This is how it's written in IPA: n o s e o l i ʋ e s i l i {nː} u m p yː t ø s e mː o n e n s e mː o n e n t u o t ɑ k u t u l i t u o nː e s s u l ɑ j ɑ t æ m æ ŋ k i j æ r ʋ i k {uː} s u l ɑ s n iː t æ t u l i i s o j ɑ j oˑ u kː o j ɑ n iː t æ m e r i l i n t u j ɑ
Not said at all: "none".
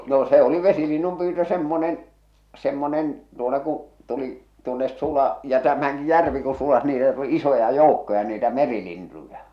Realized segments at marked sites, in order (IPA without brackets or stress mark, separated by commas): nː, u